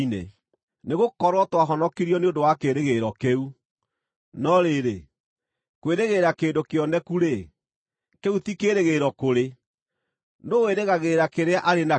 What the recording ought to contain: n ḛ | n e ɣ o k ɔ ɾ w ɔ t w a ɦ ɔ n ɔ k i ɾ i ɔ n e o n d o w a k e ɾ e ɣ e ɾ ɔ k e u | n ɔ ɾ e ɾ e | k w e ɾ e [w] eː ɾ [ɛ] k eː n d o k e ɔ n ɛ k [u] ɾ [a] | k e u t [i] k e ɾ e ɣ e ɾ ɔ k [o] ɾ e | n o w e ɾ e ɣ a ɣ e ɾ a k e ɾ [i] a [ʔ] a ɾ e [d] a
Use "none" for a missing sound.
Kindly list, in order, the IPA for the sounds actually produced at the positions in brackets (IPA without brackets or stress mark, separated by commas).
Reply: ɣ, a, u, e, i, o, e, ʔ, n